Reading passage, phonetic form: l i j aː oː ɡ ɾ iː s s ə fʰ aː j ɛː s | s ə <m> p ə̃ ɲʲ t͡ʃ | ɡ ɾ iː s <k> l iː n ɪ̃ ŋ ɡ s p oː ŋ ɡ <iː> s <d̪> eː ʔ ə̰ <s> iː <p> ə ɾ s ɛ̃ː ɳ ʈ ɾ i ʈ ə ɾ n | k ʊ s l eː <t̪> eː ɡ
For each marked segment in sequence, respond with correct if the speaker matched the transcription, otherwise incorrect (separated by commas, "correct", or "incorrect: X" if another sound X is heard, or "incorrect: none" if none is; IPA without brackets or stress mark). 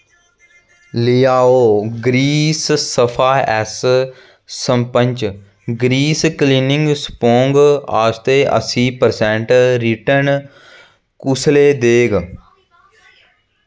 correct, correct, incorrect: aː, incorrect: t̪, correct, correct, incorrect: d̪